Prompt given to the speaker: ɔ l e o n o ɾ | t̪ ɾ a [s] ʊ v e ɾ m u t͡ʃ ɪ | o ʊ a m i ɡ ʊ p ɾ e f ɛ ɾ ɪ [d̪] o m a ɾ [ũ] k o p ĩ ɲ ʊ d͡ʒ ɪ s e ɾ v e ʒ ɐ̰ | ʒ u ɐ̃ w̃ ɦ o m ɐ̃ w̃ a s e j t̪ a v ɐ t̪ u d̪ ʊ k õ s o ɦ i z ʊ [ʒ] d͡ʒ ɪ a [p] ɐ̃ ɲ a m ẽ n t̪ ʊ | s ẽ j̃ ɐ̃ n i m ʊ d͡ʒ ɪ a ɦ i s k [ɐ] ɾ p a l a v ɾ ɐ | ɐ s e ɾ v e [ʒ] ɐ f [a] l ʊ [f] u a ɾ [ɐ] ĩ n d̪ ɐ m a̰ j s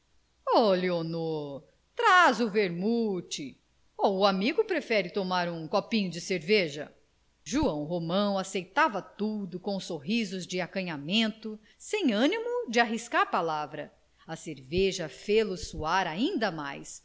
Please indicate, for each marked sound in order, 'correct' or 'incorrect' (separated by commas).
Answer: incorrect, incorrect, correct, incorrect, incorrect, incorrect, correct, incorrect, incorrect, incorrect